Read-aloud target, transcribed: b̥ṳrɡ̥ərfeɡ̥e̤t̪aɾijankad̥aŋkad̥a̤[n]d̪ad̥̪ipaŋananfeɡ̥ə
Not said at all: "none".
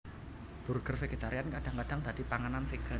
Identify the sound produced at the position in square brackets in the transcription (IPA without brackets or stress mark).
ŋ